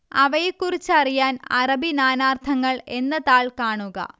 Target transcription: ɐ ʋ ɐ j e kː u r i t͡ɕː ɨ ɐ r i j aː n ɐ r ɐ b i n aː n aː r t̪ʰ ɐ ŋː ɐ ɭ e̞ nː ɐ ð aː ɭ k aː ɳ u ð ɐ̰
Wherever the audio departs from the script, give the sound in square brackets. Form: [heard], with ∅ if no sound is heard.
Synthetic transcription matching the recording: ɐ ʋ ɐ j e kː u r i t͡ɕː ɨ ɐ r i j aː n ɐ r ɐ b i n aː n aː r t̪ʰ ɐ ŋː ɐ ɭ e̞ nː ɐ ð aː ɭ k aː ɳ u [ɣ] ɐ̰